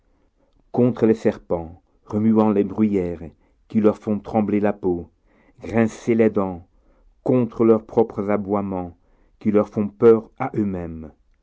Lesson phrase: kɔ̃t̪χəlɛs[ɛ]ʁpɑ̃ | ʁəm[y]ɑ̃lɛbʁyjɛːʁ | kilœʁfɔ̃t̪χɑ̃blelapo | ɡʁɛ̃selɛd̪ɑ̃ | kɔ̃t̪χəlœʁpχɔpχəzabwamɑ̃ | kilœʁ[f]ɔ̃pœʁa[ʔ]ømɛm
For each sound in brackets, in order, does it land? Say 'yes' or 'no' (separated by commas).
yes, yes, yes, yes